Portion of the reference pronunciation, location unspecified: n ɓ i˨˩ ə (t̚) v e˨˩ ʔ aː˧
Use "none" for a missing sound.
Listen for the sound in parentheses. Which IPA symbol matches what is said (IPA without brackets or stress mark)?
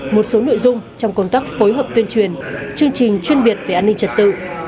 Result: t̚